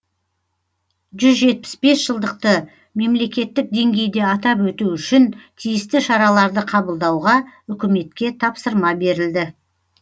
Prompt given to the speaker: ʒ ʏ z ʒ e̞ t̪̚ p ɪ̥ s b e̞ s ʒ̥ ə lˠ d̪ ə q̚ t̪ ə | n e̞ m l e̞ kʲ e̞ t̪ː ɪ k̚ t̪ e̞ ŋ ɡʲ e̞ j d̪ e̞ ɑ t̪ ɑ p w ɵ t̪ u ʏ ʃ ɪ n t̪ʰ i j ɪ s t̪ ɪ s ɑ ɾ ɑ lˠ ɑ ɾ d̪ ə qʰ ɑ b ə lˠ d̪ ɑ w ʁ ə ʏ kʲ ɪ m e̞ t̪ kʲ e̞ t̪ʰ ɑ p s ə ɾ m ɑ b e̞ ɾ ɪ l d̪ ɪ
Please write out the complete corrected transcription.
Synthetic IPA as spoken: ʒ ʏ z ʒ e̞ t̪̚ p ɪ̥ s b e̞ s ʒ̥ ə lˠ d̪ ə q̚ t̪ ə | m e̞ m l e̞ kʲ e̞ t̪ː ɪ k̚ d̪ e̞ ŋ ɡʲ e̞ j d̪ e̞ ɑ t̪ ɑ p w ɵ t̪ u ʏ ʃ ɪ n t̪ʰ i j ɪ s t̪ ɪ ʃ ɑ ɾ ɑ lˠ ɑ ɾ d̪ ə qʰ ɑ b ə lˠ d̪ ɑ w ʁ ɑ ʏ kʲ ɪ m e̞ t̪ kʲ e̞ t̪ʰ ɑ p s ə ɾ m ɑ b e̞ ɾ ɪ l d̪ ɪ